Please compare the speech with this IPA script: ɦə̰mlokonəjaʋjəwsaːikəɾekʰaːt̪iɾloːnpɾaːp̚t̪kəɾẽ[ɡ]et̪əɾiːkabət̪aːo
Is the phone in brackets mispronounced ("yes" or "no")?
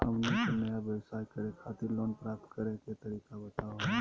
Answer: yes